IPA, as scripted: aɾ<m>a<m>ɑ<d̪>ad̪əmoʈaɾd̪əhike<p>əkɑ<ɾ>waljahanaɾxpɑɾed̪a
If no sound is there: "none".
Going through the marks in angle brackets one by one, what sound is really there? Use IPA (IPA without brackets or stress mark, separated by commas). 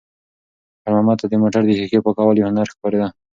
m, m, t̪, p, none